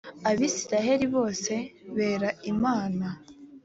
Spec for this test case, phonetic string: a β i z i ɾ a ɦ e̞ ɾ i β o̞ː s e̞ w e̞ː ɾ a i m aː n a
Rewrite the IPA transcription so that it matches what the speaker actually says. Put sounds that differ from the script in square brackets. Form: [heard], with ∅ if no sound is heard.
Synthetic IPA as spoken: a β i [s] i ɾ a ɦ e̞ ɾ i β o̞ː s e̞ [β] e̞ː ɾ a i m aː n a